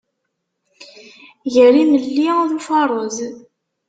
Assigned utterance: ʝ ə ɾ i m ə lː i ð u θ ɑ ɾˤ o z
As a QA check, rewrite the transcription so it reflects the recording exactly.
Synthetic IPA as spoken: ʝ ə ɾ i m ə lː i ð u f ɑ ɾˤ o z